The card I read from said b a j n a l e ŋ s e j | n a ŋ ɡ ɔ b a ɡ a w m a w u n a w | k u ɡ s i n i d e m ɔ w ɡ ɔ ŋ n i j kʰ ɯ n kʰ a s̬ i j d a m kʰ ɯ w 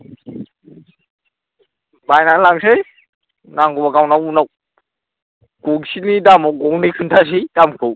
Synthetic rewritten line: b a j n a l a ŋ s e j | n a ŋ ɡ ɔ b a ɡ a w n a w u n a w | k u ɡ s i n i d a m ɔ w ɡ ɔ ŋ n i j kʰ ɯ n tʰ a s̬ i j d a m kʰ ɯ w